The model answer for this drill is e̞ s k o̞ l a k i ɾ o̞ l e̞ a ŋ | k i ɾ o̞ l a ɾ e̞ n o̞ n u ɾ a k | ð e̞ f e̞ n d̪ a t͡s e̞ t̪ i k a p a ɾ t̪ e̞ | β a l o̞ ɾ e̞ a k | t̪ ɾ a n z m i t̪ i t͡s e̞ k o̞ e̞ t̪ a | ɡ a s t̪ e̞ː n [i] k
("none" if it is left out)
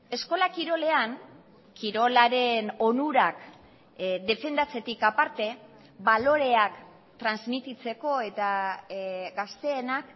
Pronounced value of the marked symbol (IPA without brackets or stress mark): a